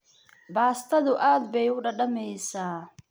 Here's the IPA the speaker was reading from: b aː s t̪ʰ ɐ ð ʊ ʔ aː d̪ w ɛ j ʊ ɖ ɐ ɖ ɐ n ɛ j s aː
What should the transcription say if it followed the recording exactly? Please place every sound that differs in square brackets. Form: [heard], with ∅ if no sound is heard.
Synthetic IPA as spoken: b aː s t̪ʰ ɐ ð ʊ ʔ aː d̪ [b] ɛ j ʊ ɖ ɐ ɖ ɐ [m] ɛ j s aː